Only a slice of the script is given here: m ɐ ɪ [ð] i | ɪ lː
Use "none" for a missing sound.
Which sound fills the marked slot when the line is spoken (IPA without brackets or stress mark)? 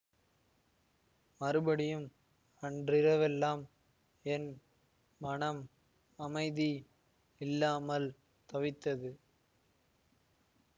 ð